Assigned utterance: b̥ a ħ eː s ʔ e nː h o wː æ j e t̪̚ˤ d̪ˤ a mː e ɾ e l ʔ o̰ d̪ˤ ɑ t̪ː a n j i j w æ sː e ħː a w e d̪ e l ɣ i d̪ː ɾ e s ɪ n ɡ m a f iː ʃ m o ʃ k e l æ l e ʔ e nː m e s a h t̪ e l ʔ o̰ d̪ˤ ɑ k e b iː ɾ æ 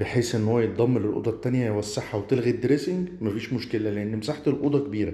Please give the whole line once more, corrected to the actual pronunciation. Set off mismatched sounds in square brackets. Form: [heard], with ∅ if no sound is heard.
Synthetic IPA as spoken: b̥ [e] ħ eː s ʔ e nː h o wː æ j e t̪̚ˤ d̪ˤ [ɑ] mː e [l] e l ʔ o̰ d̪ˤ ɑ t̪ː [æ] n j [æ] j w æ sː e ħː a w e [t̪] e l ɣ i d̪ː ɾ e s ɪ [ŋ] ɡ m [æ] f iː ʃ m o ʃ k e l æ l e ʔ e nː m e s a [ħ] t̪ e l ʔ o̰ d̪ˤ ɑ k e b iː ɾ æ